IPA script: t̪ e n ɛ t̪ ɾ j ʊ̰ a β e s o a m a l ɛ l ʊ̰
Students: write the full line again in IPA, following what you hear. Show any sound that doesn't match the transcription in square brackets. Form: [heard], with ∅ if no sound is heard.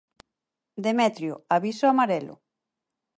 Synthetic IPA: [d̪] e [m] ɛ t̪ ɾ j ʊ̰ a β [i] s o a m a [ɾ] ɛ l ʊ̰